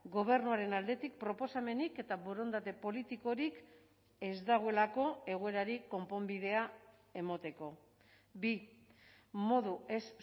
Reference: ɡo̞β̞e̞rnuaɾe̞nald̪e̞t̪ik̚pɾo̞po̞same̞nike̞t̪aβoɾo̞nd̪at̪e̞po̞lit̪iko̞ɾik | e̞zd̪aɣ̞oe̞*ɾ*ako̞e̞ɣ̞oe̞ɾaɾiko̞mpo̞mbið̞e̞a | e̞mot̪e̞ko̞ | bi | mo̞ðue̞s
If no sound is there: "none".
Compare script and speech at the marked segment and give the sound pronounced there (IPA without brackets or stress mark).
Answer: l